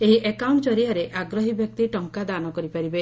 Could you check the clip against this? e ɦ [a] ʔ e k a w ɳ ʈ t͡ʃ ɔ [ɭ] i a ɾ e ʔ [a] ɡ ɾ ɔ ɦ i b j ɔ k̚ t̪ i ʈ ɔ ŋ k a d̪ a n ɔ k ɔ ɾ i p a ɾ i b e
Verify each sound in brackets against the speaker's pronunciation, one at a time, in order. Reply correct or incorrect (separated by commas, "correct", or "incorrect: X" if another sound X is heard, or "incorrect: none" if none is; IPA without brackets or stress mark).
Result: incorrect: i, incorrect: ɾ, correct